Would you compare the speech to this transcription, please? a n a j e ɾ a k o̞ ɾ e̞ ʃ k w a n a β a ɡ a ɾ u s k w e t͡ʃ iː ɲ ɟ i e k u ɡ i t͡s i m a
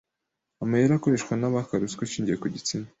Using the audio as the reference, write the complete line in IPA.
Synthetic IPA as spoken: a m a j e ɾ a k o̞ ɾ e̞ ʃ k w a n a β a k a ɾ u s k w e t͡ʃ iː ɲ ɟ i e k u ɟ i t͡s i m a